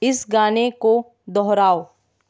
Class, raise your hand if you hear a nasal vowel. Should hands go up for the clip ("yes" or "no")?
no